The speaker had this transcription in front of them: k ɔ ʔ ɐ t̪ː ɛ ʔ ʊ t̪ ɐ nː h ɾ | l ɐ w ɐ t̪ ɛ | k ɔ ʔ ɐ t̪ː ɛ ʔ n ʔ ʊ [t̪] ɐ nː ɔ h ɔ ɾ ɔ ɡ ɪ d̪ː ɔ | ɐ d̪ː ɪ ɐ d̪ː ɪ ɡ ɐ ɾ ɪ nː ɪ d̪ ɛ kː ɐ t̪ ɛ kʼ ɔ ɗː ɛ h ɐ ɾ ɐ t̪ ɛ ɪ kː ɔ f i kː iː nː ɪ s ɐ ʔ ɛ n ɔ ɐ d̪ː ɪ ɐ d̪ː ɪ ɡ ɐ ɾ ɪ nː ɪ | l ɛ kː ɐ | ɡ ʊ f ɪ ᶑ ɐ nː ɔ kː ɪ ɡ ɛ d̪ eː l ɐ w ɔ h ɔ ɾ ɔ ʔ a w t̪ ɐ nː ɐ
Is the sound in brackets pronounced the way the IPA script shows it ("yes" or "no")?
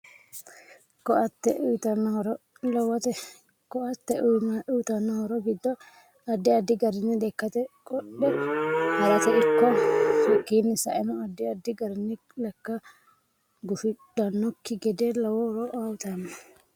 yes